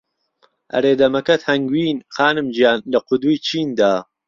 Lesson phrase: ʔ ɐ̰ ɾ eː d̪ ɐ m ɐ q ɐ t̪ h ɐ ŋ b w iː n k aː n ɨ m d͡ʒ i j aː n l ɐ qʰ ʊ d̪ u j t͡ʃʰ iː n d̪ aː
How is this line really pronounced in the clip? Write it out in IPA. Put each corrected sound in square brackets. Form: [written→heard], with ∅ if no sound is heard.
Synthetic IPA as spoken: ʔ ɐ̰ ɾ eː d̪ ɐ m ɐ [q→k] ɐ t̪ h ɐ ŋ [b→ɡ] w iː n [k→x] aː n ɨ m d͡ʒ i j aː n l ɐ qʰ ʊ d̪ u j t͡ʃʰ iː n d̪ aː